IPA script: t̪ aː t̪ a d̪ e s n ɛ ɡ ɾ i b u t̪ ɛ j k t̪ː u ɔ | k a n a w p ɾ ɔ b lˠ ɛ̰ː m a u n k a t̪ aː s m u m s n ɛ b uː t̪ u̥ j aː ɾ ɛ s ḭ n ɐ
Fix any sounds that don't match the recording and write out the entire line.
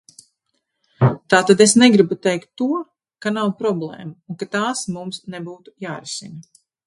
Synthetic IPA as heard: t̪ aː t̪ a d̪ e s n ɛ ɡ ɾ i b u t̪ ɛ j k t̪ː u ɔ | k a n a w p ɾ ɔ b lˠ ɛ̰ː m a u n k a t̪ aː s m u m s n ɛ b uː t̪ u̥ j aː ɾ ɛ s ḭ n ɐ